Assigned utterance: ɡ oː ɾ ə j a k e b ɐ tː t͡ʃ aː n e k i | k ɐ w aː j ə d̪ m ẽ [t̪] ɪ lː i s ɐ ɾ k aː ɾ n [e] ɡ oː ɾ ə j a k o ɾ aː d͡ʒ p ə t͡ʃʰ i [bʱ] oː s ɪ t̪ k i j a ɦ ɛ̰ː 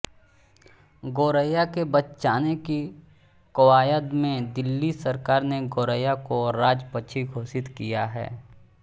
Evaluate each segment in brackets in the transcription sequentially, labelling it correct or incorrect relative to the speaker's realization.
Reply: incorrect: d̪, correct, incorrect: ɡʱ

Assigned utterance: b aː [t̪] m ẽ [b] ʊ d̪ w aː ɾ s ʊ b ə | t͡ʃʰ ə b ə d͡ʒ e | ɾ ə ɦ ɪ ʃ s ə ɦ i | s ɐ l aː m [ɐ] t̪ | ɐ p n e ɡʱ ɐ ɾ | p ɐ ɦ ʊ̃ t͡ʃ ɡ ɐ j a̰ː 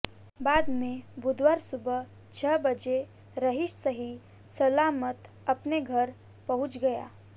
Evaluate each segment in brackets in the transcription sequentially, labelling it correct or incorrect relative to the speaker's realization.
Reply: incorrect: d̪, correct, incorrect: ə

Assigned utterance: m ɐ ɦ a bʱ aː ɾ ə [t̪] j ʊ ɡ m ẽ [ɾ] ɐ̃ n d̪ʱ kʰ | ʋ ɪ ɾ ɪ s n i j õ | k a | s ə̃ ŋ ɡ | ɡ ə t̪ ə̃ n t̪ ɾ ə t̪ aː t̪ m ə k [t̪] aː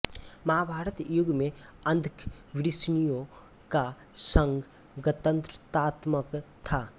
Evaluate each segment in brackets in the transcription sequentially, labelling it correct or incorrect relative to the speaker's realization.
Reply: correct, incorrect: none, incorrect: t̪ʰ

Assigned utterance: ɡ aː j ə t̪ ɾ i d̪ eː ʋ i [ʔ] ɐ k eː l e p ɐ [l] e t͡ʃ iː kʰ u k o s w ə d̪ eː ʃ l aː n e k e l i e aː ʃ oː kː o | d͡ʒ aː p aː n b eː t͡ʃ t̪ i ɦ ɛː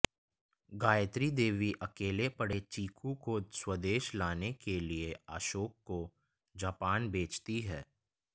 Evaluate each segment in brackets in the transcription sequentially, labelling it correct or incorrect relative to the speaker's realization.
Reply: correct, incorrect: ɽ

